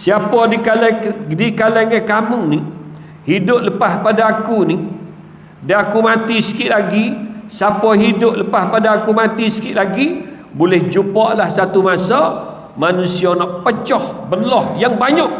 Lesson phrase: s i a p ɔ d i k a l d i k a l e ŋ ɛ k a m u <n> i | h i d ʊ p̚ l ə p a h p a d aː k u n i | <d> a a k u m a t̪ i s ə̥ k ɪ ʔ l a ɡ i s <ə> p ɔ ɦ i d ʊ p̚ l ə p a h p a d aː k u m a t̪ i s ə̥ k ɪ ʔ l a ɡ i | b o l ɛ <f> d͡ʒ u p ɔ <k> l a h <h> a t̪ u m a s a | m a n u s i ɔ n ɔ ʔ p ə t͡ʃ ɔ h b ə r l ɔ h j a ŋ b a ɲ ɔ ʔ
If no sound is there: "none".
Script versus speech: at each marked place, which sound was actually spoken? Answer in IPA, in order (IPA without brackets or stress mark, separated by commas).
n, d, a, h, ʔ, s